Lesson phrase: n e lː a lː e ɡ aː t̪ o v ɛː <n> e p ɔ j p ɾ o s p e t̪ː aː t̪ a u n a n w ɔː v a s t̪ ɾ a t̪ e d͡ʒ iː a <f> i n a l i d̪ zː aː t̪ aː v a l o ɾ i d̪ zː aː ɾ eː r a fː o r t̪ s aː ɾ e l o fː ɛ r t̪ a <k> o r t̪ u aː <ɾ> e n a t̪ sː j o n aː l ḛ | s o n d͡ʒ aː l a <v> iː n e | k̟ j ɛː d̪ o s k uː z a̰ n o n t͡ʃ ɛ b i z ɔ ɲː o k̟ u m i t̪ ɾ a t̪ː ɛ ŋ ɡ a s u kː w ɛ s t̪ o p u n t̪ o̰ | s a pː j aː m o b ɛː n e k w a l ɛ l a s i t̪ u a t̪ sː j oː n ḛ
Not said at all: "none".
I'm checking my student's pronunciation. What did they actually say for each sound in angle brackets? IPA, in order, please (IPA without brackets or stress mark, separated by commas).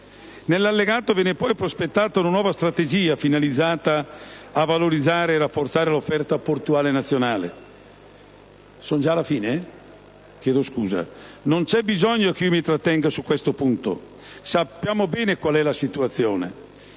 n, f, p, l, f